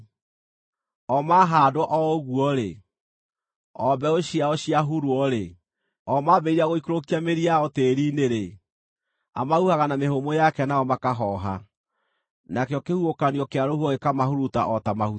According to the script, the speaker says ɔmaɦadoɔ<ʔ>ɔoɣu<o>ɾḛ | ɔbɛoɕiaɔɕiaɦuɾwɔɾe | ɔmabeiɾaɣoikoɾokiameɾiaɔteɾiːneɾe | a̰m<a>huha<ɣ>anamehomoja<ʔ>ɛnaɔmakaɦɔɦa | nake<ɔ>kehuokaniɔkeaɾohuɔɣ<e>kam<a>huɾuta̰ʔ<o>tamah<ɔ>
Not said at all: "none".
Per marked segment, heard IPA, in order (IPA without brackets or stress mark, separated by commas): ʔ, ɔ, a, ɣ, k, ɔ, e, a, ɔ, u